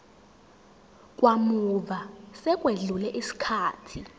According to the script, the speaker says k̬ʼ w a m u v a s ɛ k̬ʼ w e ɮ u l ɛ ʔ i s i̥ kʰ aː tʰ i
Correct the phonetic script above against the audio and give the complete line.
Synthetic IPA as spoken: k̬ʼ w a m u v a s ɛ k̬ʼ w e ɮ u l ɛ ʔ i s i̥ kʰ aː tʰ i